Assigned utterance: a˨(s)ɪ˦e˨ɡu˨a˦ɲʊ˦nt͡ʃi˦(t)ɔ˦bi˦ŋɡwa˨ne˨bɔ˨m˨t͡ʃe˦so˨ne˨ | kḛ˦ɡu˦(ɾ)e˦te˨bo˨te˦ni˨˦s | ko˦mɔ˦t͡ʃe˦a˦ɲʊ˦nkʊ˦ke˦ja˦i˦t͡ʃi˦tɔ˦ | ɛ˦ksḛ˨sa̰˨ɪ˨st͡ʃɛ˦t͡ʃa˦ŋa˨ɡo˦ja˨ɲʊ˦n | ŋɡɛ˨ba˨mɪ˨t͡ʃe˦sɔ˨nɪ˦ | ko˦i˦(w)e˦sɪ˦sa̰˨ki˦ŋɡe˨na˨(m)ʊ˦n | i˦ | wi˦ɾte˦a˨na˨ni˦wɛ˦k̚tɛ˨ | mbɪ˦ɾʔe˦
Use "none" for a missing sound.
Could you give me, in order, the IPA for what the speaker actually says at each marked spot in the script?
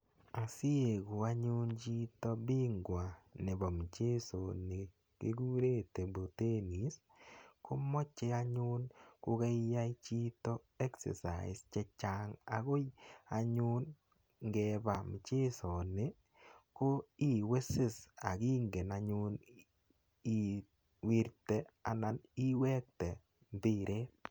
s, t, ɾ, w, ɲ

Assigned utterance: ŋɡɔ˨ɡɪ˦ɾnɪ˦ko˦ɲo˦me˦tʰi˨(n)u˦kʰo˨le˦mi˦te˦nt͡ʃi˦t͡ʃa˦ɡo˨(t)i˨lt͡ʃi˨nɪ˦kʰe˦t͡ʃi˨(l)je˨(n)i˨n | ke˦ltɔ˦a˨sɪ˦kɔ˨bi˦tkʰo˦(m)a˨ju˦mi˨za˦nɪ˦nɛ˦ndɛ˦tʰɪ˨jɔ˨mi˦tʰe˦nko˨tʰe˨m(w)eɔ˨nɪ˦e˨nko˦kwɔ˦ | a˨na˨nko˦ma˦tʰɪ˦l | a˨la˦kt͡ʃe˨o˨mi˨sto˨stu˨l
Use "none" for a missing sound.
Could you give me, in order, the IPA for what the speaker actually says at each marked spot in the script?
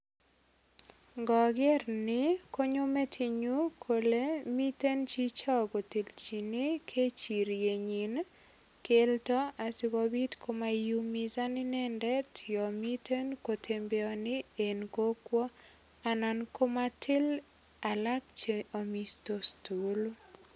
ɲ, t, ɾ, ɲ, m, b

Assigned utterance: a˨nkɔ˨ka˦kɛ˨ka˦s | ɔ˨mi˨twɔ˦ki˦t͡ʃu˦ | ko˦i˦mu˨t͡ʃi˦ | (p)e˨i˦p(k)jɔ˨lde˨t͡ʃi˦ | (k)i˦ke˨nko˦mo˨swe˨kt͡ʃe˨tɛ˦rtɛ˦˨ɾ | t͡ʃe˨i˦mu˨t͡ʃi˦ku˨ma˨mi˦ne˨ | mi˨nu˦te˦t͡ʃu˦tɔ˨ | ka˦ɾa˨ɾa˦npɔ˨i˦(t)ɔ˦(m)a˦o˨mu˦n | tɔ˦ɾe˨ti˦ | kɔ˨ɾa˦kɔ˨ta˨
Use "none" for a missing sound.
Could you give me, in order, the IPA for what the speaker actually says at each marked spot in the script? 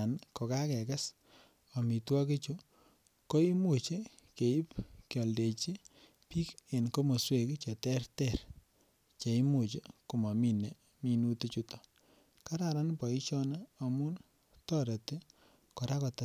k, k, p, t͡ʃ, n

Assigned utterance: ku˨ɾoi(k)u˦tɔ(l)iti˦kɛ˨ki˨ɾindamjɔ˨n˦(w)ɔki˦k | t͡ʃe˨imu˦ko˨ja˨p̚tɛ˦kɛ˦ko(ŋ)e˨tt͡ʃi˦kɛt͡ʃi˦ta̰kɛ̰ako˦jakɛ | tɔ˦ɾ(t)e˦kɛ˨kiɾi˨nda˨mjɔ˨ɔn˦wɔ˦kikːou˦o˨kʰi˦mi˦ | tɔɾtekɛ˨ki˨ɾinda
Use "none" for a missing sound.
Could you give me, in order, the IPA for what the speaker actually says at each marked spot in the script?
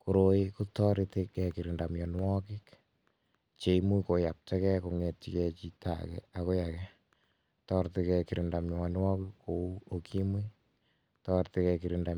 k, ɾ, w, ŋ, t

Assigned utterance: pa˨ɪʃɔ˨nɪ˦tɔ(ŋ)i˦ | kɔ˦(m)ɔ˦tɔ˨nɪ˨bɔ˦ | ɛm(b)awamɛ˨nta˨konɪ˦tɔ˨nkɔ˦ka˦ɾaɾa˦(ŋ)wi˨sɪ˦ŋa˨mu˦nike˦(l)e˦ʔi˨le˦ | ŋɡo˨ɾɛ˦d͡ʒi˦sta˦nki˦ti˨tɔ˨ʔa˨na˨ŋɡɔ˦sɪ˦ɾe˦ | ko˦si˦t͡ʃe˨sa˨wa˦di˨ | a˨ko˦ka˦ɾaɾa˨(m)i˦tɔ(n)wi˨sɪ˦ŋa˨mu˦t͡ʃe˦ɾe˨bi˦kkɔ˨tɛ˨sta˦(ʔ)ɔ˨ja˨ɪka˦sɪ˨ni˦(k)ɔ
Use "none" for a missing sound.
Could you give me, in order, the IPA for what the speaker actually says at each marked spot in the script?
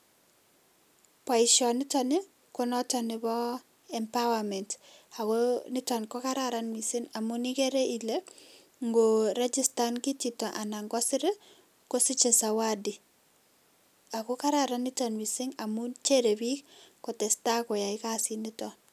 n, n, p, n, ɾ, n, n, k, t

